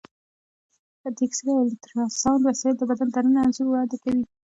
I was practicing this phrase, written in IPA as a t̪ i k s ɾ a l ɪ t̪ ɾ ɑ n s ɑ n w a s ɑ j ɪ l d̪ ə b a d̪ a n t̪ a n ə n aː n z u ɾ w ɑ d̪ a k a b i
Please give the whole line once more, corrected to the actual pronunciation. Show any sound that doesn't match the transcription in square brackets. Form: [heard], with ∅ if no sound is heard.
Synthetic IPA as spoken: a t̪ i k s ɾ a l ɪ t̪ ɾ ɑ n s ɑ n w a s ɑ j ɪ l d̪ ə b a d̪ a n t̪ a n ə n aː n z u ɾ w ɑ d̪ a k a [w] i